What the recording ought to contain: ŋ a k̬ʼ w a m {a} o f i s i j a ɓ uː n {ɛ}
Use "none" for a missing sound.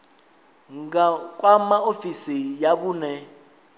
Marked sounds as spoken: a, ɛ

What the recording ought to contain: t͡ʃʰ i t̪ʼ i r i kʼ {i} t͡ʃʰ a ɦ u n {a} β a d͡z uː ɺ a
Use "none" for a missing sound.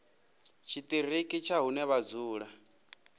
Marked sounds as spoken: i, ɛ

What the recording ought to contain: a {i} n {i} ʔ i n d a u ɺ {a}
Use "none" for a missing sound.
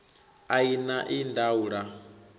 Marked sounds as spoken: i, a, a

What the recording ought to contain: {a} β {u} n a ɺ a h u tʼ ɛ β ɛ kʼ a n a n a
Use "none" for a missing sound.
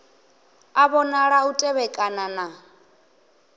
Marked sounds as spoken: a, ɔ

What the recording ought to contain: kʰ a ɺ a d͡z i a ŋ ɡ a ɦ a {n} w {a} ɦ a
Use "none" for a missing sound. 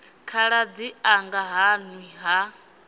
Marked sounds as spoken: n, i

